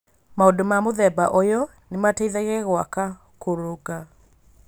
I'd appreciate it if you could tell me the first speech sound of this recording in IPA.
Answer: m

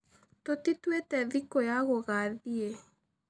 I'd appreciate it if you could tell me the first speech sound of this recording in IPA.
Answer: t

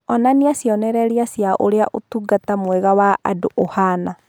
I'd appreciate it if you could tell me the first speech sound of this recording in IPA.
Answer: ɔ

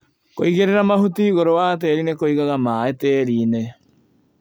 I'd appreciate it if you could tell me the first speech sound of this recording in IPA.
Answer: k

